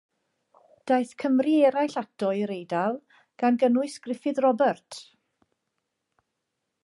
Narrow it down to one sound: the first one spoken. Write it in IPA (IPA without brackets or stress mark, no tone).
d̥